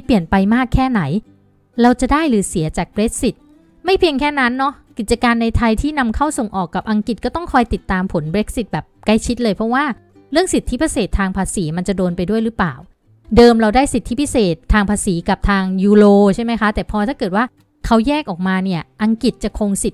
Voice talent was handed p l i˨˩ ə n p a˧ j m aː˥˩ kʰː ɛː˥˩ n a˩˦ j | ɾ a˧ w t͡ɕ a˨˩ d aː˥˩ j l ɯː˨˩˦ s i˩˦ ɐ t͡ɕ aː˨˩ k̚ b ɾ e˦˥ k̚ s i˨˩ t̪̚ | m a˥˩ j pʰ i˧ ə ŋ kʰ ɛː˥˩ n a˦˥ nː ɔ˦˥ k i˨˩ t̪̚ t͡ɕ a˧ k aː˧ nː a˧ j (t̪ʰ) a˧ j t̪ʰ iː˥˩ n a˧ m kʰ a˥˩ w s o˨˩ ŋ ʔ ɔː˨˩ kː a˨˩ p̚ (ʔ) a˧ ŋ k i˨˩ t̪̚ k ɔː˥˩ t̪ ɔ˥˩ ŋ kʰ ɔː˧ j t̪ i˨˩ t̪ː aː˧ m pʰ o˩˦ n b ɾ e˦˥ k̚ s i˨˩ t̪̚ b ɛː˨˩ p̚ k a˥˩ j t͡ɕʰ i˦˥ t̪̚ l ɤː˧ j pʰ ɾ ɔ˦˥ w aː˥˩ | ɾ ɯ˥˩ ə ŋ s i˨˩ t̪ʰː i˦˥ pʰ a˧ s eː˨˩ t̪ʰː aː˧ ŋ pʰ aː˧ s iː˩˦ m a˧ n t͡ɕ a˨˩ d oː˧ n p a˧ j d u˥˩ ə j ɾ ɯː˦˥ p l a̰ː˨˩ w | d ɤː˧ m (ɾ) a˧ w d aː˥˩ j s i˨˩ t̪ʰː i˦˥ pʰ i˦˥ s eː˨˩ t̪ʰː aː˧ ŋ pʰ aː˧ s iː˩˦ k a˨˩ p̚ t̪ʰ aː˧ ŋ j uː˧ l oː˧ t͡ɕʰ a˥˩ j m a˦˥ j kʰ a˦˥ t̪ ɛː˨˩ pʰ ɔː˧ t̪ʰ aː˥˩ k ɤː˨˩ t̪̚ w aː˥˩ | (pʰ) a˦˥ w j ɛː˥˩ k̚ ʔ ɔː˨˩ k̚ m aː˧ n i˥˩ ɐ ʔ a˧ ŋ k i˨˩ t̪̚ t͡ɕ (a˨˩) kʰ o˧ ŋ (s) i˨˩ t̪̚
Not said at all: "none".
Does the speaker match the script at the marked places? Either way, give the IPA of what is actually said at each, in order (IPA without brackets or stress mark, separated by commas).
t̪ʰ, ʔ, ɾ, kʰ, a˨˩, s